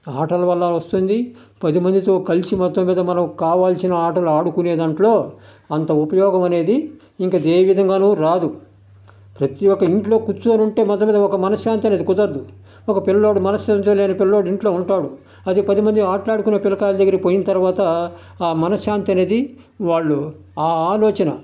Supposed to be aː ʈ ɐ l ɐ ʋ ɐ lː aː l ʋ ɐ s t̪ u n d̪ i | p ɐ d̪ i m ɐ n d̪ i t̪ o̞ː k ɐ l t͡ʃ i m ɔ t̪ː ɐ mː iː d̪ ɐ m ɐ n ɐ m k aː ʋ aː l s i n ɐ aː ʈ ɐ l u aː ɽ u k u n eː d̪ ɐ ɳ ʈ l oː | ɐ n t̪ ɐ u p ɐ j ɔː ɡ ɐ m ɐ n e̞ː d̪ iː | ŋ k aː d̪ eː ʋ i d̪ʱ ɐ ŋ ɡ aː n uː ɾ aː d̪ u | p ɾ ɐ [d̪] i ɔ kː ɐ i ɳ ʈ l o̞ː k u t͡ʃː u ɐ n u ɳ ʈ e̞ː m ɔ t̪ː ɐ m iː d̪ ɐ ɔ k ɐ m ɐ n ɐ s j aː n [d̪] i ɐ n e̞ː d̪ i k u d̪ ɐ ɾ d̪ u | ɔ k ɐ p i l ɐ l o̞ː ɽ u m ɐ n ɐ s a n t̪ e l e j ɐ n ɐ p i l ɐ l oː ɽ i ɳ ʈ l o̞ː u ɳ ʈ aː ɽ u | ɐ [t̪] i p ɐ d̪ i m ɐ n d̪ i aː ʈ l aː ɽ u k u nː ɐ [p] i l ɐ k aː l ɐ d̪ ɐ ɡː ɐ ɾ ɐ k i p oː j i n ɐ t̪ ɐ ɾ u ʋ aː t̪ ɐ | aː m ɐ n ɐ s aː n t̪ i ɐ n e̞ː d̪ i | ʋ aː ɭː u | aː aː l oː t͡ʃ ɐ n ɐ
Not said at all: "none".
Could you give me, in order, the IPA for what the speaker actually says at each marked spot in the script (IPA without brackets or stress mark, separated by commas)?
t̪, t̪, d̪, p